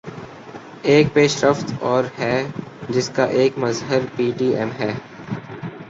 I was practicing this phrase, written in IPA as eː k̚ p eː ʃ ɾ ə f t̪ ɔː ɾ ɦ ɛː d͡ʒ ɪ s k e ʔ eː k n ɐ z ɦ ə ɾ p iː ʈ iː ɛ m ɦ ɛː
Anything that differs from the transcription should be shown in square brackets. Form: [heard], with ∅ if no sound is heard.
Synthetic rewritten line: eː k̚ p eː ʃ ɾ ə f t̪ ɔː ɾ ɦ ɛː d͡ʒ ɪ s k [a] ʔ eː k [m] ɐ z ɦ ə ɾ p iː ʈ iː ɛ m ɦ ɛː